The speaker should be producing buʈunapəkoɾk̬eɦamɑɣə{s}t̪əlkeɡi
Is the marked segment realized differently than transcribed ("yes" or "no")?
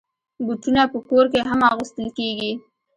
no